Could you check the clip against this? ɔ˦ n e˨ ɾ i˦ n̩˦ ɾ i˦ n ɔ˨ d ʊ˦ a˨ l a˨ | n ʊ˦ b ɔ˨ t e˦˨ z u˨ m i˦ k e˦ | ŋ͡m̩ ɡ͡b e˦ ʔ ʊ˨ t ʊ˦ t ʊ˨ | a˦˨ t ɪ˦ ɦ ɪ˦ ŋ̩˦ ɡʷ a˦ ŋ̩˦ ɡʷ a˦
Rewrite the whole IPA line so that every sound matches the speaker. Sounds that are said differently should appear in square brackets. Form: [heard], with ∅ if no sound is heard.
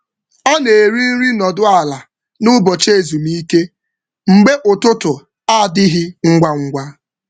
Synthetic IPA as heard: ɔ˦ n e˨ ɾ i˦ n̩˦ ɾ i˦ n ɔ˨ d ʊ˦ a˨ l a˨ | n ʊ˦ b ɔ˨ [t͡ʃ] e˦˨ z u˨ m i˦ k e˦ | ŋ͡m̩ ɡ͡b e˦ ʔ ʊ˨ t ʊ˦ t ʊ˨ | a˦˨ [d] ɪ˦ ɦ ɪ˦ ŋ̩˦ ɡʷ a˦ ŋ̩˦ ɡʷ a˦